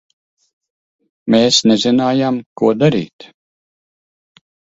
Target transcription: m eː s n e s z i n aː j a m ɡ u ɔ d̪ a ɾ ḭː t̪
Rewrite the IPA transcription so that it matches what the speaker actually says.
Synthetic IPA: m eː s n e z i n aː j a m k u ɔ d̪ a ɾ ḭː t̪